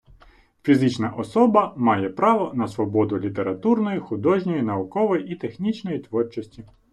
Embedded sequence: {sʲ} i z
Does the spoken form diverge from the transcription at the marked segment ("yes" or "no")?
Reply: yes